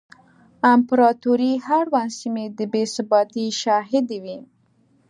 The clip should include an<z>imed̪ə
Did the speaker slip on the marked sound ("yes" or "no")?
yes